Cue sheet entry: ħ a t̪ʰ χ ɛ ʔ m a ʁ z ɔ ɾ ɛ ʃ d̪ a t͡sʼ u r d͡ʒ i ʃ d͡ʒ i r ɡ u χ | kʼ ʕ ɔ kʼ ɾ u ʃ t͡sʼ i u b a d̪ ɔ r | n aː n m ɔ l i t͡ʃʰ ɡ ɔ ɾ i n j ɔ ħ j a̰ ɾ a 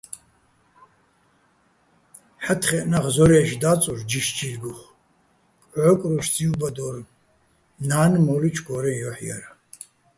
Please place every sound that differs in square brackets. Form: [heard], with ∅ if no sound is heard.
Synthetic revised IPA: ħ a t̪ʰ χ ɛ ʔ [n] a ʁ z ɔ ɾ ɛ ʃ d̪ a t͡sʼ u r d͡ʒ i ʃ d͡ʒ i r ɡ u χ | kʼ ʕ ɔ kʼ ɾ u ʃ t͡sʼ i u b a d̪ ɔ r | n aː n m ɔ l i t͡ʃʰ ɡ ɔ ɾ [ɛ] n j ɔ ħ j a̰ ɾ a